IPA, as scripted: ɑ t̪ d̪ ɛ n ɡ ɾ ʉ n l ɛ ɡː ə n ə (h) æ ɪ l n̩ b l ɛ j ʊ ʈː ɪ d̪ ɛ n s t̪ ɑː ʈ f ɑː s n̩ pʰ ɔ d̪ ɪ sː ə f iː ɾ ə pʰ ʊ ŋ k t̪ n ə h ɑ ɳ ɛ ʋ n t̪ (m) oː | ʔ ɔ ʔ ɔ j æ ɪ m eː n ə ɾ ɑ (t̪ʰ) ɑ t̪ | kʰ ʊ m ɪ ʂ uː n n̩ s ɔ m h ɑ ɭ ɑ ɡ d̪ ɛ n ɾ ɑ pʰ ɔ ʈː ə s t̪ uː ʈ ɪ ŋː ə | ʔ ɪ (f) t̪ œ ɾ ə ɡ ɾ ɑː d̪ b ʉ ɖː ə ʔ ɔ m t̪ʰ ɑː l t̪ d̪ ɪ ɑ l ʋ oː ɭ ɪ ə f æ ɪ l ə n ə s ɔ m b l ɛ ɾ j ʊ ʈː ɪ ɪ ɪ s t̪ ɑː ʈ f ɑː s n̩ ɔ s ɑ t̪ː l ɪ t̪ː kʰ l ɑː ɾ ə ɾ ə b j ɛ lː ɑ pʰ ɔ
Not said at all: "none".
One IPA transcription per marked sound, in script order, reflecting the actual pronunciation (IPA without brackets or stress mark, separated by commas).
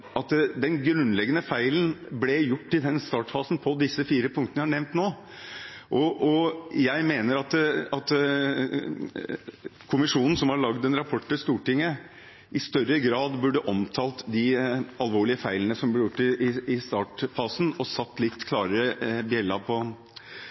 f, n, t̪, s